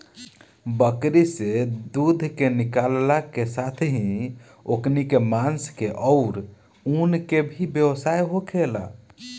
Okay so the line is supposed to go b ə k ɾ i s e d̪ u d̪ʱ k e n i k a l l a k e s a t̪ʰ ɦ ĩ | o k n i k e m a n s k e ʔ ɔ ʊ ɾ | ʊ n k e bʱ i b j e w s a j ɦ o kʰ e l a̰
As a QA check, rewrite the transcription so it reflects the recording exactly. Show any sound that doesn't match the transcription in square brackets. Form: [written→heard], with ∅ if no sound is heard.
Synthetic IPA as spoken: b ə k ɾ i s e d̪ u d̪ʱ k e n i k a l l a k e s a t̪ʰ ɦ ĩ | o k n i k e m a n s k e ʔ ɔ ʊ ɾ | [ʊ→u] n k e bʱ i b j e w s a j ɦ o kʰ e l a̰